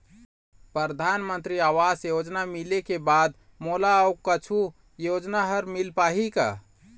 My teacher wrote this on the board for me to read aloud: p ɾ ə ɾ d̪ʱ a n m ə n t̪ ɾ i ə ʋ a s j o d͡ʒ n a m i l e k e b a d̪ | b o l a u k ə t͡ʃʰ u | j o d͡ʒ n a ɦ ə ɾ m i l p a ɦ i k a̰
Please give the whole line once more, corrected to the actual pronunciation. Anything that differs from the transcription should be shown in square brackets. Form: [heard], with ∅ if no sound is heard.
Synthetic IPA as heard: p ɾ ə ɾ d̪ʱ a n m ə n t̪ ɾ i [a] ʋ a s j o d͡ʒ n a m i l e k e b a d̪ | [m] o l a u k ə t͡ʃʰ u | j o d͡ʒ n a ɦ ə ɾ m i l p a ɦ i k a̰